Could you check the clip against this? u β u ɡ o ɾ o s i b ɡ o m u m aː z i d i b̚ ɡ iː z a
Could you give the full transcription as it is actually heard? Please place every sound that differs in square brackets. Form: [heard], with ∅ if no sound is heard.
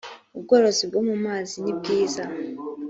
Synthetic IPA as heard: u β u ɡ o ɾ o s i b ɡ o m u m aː z i [n] i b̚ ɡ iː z a